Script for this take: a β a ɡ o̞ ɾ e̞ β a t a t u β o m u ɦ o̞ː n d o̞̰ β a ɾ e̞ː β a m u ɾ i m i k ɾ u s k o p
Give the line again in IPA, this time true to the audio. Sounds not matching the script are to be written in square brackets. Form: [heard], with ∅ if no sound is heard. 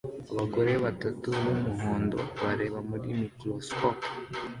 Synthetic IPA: a β a ɡ o̞ ɾ e̞ β a t a t u β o m u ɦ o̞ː n d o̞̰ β a ɾ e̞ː β a m u ɾ i m i k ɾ [o] s k o p